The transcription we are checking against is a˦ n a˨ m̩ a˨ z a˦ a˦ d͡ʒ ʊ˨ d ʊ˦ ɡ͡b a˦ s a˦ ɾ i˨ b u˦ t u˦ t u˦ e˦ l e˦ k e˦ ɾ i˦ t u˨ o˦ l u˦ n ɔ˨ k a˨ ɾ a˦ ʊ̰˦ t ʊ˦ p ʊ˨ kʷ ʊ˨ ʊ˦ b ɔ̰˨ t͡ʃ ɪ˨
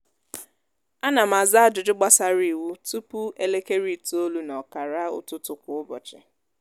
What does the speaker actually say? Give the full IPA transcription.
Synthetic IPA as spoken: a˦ n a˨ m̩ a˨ z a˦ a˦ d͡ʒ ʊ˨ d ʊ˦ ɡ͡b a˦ s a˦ ɾ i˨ w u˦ t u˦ p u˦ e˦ l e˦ k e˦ ɾ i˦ t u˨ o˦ l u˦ n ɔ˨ k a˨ ɾ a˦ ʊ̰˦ t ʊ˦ t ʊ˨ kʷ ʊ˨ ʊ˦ b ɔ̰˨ t͡ʃ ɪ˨